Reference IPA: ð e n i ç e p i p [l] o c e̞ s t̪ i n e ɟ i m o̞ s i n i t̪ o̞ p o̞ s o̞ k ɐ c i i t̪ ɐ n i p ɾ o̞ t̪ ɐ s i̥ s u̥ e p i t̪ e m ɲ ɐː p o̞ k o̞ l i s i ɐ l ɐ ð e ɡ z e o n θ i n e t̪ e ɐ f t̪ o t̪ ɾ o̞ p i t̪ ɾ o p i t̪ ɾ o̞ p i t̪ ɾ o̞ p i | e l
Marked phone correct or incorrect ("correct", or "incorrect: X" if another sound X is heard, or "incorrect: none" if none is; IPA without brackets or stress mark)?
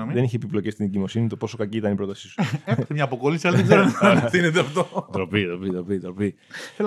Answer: correct